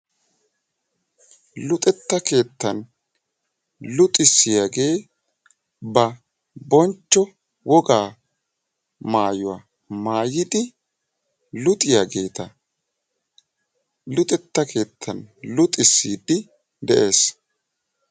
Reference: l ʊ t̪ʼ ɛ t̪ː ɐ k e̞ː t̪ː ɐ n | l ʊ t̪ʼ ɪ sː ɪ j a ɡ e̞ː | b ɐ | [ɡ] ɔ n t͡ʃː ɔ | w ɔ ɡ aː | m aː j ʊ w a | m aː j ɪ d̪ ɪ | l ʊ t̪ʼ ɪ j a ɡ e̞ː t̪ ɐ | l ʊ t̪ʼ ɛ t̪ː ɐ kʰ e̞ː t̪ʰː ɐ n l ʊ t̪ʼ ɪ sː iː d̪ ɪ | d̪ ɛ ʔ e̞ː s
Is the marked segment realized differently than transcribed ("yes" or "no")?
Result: yes